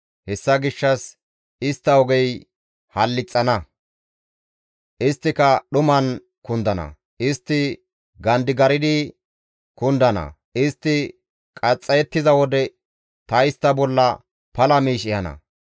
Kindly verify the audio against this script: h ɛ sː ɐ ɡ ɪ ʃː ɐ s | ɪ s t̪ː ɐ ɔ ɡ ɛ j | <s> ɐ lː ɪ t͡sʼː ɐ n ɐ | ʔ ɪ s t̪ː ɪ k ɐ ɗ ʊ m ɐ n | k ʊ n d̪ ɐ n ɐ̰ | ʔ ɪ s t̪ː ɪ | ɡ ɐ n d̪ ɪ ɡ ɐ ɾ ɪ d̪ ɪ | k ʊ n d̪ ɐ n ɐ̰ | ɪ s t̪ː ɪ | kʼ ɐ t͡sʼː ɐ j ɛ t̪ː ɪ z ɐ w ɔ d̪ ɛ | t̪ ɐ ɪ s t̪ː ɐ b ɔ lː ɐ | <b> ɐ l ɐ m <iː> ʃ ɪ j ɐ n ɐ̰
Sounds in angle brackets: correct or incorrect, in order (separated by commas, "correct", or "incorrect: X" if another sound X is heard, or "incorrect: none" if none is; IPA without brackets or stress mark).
incorrect: h, incorrect: p, correct